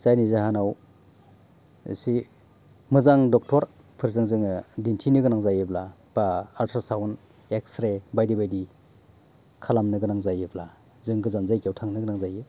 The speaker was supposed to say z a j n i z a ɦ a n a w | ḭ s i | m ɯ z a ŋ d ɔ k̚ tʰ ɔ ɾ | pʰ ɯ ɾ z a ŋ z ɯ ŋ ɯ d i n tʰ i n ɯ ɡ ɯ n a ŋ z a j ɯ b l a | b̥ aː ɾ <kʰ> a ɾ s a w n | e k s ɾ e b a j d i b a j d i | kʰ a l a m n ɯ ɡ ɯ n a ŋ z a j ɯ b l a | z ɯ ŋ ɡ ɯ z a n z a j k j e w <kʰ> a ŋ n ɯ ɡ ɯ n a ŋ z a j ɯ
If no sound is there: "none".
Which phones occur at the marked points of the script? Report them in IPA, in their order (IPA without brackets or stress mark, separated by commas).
tʰ, tʰ